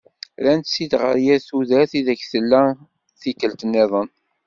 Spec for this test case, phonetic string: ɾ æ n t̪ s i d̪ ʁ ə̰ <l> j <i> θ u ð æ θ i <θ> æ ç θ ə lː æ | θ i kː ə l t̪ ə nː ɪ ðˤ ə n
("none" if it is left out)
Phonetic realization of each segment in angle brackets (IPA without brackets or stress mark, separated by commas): ɾ, æ, ð